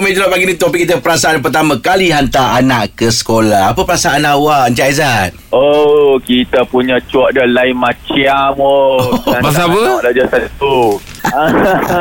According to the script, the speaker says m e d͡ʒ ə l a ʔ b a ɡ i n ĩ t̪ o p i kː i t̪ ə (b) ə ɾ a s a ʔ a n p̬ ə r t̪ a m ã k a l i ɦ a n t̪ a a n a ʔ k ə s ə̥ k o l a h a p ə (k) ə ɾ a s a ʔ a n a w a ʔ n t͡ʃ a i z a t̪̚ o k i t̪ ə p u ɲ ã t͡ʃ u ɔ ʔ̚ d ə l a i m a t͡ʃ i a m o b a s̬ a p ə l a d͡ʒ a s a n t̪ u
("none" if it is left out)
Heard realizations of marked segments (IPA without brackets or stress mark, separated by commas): p, p